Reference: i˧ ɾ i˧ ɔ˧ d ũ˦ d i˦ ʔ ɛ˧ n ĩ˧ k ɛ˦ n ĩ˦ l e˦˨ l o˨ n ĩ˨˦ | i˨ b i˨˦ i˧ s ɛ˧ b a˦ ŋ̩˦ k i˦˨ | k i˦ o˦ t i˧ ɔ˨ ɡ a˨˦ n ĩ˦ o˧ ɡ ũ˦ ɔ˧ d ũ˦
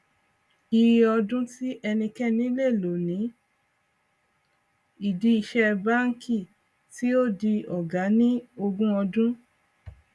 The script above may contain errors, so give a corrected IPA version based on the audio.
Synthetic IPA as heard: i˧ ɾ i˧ ɔ˧ d ũ˦ t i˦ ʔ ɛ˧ n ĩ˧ k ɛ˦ n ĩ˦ l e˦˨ l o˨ n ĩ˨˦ | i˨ d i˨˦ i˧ ʃ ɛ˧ b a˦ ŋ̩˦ k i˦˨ | t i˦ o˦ d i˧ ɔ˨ ɡ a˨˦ n ĩ˦ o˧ ɡ ũ˦ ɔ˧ d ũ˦

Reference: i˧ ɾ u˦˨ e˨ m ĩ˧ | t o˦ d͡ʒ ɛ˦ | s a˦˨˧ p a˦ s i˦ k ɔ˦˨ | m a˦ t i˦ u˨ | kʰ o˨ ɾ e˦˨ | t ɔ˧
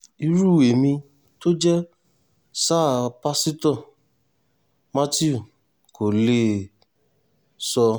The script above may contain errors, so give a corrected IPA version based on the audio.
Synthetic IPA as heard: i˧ ɾ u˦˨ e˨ m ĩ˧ | t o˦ d͡ʒ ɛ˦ | s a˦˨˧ p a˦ s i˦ t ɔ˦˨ | m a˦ t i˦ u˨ | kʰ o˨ l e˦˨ | s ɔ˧

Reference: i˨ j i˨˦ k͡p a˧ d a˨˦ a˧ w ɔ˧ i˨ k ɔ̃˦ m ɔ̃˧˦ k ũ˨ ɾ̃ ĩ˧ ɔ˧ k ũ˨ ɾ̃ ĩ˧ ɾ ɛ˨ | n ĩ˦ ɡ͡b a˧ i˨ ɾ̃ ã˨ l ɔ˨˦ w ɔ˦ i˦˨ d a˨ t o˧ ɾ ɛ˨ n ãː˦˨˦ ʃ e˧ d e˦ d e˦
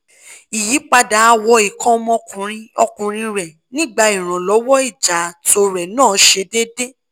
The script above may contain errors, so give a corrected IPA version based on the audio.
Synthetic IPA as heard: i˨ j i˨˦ k͡p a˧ d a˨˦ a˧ w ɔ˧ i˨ k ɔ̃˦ m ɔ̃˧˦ k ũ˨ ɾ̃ ĩ˧ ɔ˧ k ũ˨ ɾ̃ ĩ˧ ɾ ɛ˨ | n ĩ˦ ɡ͡b a˧ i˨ ɾ̃ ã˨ l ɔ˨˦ w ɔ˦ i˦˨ d͡ʒ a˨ t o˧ ɾ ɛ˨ n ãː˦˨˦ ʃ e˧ d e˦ d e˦

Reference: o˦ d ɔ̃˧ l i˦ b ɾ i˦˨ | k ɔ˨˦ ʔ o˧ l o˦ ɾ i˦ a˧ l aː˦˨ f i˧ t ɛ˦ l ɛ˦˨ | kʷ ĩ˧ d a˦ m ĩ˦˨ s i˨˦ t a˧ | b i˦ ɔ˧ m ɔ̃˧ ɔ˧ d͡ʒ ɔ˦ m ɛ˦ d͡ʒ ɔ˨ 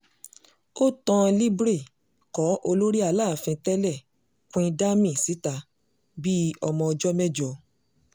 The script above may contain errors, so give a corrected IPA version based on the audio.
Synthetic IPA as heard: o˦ t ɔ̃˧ l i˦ b ɾ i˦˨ | k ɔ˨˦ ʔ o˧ l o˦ ɾ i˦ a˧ l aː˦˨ f ĩ˧ t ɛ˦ l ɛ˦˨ | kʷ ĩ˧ d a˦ m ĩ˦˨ s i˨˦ t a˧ | b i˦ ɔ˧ m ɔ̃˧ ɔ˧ d͡ʒ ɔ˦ m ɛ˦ d͡ʒ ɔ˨

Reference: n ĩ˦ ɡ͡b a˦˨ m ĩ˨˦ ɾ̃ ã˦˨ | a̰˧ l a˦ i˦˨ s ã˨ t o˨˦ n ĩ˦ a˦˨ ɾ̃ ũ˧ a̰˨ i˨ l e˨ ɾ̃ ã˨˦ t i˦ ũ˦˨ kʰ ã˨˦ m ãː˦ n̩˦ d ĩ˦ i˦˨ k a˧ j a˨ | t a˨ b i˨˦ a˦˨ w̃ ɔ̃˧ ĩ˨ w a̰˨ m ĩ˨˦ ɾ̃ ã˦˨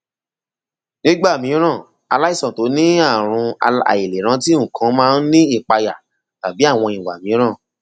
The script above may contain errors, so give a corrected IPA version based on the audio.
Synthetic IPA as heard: n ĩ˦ ɡ͡b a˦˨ m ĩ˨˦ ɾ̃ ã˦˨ | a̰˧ l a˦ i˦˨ s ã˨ t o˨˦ n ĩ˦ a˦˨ ɾ̃ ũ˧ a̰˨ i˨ l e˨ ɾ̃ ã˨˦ t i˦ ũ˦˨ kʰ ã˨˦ m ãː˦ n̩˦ n ĩ˦ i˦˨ k͡p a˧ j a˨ | t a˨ b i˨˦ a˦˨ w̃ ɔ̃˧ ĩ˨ w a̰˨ m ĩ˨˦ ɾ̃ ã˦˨

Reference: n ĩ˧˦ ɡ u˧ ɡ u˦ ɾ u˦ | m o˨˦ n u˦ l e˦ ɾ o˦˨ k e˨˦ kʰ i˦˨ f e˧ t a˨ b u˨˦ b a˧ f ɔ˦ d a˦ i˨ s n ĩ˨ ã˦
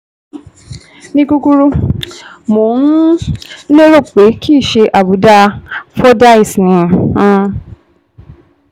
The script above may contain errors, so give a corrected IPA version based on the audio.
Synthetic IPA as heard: n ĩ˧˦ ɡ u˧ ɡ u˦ ɾ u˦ | m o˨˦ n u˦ l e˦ ɾ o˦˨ k͡p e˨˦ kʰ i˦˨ ʃ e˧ ʔ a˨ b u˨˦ d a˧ f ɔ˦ d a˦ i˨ s n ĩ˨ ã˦

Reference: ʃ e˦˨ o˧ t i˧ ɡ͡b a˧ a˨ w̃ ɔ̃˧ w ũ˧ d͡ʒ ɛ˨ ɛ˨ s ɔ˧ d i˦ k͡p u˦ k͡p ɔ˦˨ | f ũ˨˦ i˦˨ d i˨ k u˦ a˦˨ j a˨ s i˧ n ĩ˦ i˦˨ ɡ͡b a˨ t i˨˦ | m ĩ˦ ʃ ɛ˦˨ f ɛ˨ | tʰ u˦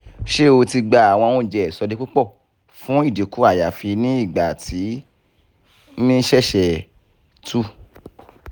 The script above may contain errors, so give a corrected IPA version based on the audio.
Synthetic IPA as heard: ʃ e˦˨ o˧ t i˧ ɡ͡b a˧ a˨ w̃ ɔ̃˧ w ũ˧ d͡ʒ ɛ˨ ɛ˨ s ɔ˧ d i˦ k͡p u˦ k͡p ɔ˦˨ | f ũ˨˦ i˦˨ d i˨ k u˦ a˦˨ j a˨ f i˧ n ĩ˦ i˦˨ ɡ͡b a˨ t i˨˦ | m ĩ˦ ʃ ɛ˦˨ ʃ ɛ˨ | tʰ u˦

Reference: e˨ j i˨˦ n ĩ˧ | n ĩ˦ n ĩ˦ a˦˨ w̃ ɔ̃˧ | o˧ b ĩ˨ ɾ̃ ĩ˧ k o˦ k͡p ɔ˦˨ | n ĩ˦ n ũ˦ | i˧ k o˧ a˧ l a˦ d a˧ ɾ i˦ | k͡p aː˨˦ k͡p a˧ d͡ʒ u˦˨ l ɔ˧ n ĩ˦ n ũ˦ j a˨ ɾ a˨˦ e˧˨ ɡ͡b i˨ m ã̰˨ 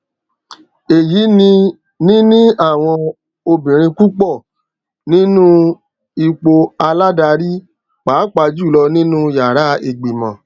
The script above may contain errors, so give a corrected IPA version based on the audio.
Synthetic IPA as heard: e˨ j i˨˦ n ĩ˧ | n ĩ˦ n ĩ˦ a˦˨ w̃ ɔ̃˧ | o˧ b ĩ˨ ɾ̃ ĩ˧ k u˦ k͡p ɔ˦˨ | n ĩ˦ n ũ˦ | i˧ k͡p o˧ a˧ l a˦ d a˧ ɾ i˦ | k͡p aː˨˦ k͡p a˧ d͡ʒ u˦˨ l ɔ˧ n ĩ˦ n ũ˦ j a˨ ɾ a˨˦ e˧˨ ɡ͡b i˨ m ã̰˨

